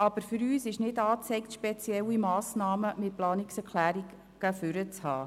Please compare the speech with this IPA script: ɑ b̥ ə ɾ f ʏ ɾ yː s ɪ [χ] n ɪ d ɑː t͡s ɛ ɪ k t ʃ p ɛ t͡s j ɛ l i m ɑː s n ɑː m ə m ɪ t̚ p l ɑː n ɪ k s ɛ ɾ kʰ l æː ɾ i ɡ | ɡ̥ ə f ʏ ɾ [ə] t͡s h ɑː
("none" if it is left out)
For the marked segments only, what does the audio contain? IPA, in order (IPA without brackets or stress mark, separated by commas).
ʃ, ə